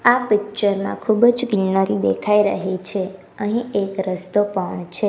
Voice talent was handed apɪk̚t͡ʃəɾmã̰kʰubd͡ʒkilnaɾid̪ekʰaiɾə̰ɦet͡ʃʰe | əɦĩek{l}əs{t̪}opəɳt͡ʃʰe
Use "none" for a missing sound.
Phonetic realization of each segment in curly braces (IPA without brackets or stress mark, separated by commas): ɾ, t̪